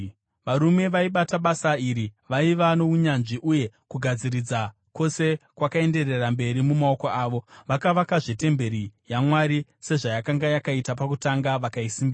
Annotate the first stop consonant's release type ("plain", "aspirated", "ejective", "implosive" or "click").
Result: implosive